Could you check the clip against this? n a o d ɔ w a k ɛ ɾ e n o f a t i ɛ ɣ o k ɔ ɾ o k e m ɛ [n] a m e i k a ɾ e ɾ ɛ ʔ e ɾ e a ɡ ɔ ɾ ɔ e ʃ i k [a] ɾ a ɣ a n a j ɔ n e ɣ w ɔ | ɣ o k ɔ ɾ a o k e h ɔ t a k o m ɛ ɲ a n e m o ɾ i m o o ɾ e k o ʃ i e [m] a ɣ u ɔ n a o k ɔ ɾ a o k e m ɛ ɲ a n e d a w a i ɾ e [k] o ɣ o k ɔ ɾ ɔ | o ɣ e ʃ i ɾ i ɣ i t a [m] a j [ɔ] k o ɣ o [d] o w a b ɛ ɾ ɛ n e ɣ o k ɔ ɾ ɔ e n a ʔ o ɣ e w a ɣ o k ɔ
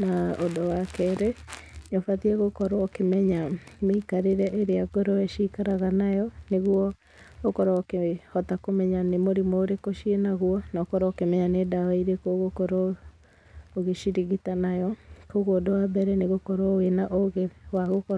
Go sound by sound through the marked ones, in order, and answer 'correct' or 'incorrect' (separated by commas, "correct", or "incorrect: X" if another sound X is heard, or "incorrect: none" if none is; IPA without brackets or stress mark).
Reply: incorrect: ɲ, correct, incorrect: n, correct, incorrect: n, correct, correct